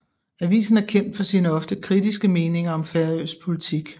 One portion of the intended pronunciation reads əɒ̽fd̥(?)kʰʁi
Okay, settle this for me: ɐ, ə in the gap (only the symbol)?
ə